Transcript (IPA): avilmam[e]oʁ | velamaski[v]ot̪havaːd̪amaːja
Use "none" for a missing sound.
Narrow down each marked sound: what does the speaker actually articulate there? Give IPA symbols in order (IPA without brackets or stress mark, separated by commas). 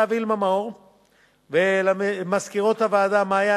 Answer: a, ʁ